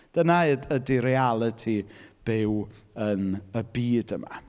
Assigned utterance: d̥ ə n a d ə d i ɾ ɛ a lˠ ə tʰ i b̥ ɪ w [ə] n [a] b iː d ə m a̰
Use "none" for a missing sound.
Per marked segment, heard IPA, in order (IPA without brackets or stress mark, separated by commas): ə, ə